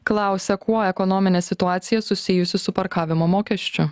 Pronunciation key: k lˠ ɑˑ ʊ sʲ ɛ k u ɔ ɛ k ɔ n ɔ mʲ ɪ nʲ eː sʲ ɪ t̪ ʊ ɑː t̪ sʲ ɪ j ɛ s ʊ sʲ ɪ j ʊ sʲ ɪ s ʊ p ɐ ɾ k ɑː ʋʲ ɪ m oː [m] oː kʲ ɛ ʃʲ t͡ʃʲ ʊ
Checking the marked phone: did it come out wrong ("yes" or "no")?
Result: no